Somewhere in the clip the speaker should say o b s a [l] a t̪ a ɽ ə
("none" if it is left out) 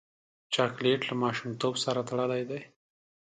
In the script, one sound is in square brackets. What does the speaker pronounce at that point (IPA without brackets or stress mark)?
ɾ